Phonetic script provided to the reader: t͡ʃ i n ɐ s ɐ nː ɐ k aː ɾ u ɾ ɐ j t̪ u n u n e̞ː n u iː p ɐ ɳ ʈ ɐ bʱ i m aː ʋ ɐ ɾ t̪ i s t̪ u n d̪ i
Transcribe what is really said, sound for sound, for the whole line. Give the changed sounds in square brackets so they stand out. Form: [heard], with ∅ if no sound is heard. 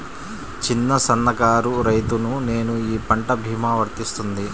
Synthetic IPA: t͡ʃ i [nː] ɐ s ɐ nː ɐ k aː ɾ u ɾ ɐ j t̪ u n u n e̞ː n u iː p ɐ ɳ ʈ ɐ bʱ [iː] m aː ʋ ɐ ɾ t̪ i s t̪ u n d̪ i